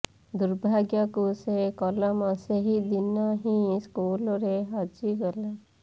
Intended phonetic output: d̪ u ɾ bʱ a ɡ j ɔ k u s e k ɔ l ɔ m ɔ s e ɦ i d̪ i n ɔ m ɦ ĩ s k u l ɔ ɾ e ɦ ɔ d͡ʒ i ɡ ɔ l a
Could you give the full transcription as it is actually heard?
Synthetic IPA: d̪ u ɾ bʱ a ɡ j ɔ k u s e k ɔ l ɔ m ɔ s e ɦ i d̪ i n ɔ ɦ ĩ s k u l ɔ ɾ e ɦ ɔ d͡ʒ i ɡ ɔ l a